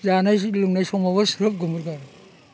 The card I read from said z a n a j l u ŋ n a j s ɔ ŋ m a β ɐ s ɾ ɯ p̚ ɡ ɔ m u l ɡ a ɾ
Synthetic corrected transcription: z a n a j l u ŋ n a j s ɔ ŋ m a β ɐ s ɾ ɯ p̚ ɡ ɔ m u ɾ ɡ a ɾ